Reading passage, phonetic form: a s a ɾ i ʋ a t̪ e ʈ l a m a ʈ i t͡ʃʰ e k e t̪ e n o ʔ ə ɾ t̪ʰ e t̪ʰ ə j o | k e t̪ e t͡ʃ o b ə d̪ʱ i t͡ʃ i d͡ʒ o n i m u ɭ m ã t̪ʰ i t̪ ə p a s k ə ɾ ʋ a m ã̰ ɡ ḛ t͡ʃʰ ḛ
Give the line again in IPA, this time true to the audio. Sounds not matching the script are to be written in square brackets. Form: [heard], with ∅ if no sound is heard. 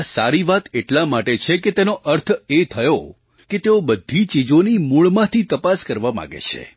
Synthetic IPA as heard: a s a ɾ i ʋ a t̪ e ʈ l a m a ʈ [e] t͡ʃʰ e k e t̪ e n o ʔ ə ɾ t̪ʰ e t̪ʰ ə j o | k e t̪ e [∅] o b ə d̪ʱ i t͡ʃ i d͡ʒ o n i m u ɭ m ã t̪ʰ i t̪ ə p a s k ə ɾ ʋ a m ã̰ ɡ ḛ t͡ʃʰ ḛ